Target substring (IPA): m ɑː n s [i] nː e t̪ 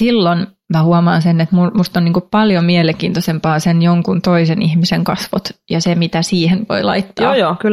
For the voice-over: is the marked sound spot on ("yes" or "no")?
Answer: no